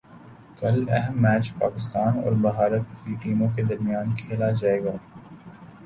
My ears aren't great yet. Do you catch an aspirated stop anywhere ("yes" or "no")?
yes